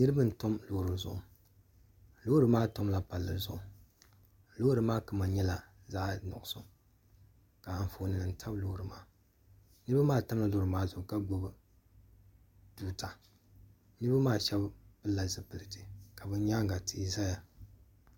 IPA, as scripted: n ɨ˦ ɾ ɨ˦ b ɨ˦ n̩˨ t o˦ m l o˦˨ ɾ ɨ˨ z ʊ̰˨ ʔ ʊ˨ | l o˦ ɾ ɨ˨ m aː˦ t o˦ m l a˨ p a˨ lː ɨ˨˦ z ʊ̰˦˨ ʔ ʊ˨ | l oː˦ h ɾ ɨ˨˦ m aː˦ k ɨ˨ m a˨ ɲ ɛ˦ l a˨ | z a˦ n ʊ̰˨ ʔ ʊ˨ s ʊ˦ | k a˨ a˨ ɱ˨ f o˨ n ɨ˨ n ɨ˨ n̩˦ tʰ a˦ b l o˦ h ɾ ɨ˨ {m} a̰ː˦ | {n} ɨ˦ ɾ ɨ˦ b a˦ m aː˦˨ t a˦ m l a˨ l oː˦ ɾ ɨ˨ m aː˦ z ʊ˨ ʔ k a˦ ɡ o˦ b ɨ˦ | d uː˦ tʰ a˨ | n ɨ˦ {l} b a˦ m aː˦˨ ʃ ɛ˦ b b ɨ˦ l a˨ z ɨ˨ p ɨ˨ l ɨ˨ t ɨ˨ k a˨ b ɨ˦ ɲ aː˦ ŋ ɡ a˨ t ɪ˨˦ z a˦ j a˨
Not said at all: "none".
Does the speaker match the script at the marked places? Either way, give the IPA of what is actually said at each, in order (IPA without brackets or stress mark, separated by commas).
m, n, ɾ